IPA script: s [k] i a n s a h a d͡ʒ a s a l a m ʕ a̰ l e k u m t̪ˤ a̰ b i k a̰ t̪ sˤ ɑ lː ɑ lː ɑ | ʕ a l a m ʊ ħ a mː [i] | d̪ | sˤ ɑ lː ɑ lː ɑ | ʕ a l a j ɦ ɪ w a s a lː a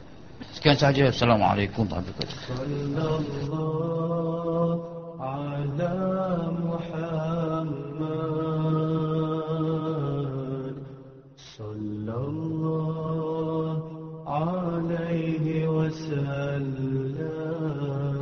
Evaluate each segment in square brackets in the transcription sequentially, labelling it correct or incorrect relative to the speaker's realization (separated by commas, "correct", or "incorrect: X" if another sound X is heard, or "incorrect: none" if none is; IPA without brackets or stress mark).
correct, incorrect: a